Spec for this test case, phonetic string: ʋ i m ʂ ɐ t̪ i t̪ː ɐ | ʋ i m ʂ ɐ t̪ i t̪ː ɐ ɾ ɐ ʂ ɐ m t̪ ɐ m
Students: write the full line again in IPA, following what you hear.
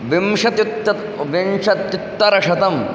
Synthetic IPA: ʋ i m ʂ ɐ t̪ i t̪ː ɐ | ʋ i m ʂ ɐ t̪ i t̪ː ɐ ɾ ɐ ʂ ɐ t̪ ɐ m